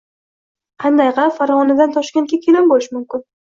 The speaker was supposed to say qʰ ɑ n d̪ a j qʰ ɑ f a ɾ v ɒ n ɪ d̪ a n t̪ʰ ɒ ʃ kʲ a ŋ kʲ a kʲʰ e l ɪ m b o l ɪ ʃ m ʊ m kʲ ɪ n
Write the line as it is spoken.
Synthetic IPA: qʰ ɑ n d̪ a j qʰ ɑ f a ɾ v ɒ n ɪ d̪ a n t̪ʰ ɒ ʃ kʲ a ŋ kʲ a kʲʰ e l ɪ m b o l ɪ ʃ m ʊ m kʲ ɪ n

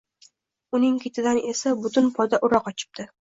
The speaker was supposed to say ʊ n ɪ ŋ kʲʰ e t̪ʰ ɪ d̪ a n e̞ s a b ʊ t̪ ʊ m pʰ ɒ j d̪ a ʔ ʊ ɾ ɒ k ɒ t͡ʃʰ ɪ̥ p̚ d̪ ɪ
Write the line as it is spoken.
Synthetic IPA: ʊ n ɪ ŋ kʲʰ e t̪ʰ ɪ d̪ a n e̞ s a b ʊ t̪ ʊ n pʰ ɒ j d̪ a ʔ ʊ ɾ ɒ q ɒ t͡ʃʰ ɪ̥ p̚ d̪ ɪ

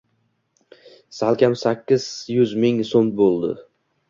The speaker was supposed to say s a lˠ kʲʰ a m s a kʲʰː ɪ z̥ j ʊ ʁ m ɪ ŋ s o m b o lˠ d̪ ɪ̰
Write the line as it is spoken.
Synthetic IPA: s a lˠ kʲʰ a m s a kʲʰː ɪ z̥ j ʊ z m ɪ ŋ s o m b o lˠ d̪ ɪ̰

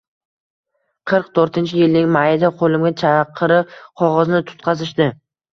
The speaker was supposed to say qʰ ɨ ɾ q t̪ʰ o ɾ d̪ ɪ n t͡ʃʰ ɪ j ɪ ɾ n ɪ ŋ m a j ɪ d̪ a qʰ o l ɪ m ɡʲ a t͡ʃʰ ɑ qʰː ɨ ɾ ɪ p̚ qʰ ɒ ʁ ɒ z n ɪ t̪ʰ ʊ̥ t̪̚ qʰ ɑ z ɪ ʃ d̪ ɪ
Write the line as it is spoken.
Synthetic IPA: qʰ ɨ ɾ q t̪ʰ o ɾ t̪ ɪ n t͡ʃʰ ɪ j ɪ l n ɪ ŋ m a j ɪ d̪ a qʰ o l ɪ m ɡʲ a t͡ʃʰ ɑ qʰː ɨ ɾ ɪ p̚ qʰ ɒ ʁ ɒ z n ɪ t̪ʰ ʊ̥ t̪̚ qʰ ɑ z ɪ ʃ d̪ ɪ

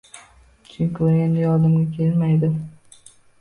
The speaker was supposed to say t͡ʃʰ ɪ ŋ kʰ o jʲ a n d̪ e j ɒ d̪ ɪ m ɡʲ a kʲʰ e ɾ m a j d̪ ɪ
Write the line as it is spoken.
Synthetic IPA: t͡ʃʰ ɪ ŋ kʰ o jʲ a n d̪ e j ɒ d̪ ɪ m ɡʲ a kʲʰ e l m a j d̪ ɪ

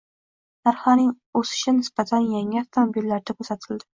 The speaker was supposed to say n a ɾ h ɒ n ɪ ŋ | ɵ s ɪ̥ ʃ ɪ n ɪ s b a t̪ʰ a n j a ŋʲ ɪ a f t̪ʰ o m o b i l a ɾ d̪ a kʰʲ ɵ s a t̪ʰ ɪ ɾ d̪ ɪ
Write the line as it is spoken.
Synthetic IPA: n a ɾ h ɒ n ɪ ŋ | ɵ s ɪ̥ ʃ ɪ n ɪ s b a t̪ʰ a n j a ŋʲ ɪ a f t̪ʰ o m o b i lː a ɾ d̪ a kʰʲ ɵ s a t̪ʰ ɪ l d̪ ɪ

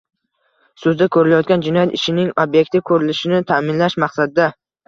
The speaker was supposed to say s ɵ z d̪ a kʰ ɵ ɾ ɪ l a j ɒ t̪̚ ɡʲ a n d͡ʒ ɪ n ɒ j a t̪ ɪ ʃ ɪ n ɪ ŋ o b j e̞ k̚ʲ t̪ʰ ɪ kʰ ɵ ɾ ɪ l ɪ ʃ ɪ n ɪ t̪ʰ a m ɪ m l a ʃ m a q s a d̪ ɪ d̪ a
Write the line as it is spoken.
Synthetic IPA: s ɵ z d̪ a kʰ ɵ ɾ ɪ l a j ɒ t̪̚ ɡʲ a n d͡ʒ ɪ n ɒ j a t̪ ɪ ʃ ɪ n ɪ ŋ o b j e̞ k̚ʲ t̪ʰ ɪ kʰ ɵ ɾ ɪ l ɪ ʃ ɪ n ɪ t̪ʰ a m ɪ n l a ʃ m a q s a d̪ ɪ d̪ a

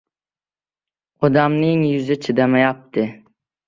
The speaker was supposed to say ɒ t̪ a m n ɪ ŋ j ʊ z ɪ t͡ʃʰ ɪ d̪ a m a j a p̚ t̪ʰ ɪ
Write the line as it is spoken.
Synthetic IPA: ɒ d̪ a m n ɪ ŋ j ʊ z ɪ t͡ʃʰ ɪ d̪ a m a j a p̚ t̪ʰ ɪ

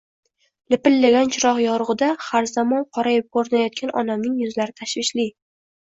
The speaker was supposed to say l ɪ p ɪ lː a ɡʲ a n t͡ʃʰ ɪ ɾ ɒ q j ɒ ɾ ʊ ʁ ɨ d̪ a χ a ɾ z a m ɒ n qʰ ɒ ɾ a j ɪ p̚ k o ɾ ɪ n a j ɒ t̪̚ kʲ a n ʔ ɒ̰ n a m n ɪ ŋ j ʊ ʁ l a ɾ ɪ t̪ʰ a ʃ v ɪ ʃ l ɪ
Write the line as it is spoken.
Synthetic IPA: l ɪ p ɪ lː a ɡʲ a n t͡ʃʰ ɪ ɾ ɒ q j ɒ ɾ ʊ ʁ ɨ d̪ a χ a ɾ z a m ɒ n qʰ ɒ ɾ a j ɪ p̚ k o ɾ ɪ n a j ɒ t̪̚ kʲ a n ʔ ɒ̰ n a m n ɪ ŋ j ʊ z l a ɾ ɪ t̪ʰ a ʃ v ɪ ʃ l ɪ

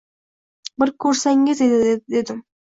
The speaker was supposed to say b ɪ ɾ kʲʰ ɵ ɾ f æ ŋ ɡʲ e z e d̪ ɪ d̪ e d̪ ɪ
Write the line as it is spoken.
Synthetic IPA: b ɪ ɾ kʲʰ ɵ ɾ s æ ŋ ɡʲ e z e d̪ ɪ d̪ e d̪ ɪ

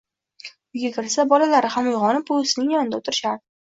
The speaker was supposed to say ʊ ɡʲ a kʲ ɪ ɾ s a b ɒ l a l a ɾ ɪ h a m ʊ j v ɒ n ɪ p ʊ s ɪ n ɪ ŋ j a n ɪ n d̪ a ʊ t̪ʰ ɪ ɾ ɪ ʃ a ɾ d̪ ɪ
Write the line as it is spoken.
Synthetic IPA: ʊ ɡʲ a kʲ ɪ ɾ s a b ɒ l a l a ɾ ɪ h a m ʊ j ʁ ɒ n ɪ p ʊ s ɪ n ɪ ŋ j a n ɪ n d̪ a ʊ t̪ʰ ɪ ɾ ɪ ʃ a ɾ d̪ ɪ

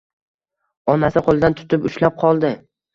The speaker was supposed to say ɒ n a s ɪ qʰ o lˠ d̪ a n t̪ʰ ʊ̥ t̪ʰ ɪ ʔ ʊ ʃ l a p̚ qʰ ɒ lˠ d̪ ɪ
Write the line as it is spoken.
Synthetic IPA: ɒ n a s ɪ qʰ o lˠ d̪ a n t̪ʰ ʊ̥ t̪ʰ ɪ p ʊ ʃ l a p̚ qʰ ɒ lˠ d̪ ɪ

